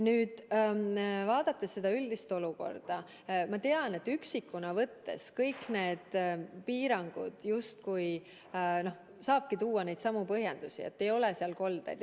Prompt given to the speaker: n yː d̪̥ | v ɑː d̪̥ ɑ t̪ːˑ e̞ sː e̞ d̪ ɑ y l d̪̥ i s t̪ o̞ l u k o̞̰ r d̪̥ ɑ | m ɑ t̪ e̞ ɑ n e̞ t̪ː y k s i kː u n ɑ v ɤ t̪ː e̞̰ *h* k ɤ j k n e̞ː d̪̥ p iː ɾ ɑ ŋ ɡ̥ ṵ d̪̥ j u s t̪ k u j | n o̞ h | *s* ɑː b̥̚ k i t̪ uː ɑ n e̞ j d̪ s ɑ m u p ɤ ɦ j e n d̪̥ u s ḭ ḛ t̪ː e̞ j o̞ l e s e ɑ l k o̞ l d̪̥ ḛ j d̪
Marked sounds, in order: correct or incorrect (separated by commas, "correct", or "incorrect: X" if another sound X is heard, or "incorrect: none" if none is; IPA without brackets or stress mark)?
incorrect: s, correct